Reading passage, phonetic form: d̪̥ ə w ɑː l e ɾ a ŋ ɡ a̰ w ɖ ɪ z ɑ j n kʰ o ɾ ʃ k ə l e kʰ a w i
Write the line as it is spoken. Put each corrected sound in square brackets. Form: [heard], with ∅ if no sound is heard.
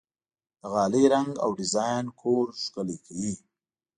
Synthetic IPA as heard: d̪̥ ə [ɣ] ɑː l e ɾ a ŋ ɡ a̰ w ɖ ɪ z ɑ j n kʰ o ɾ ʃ k ə l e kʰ a w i